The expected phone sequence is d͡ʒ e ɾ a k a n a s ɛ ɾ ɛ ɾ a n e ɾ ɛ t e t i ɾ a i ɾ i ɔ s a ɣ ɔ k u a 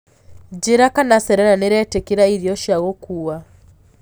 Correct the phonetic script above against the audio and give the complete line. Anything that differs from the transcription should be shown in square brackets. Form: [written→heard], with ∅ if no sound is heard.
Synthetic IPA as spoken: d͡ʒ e ɾ a k a n a s ɛ ɾ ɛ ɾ a n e ɾ ɛ t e [t→k] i ɾ a i ɾ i ɔ [s→ʃ] a ɣ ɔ k u a